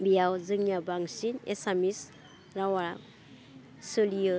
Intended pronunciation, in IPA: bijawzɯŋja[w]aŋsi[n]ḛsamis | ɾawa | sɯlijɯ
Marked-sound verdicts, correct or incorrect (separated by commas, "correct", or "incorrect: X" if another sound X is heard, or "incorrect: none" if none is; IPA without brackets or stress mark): incorrect: b, correct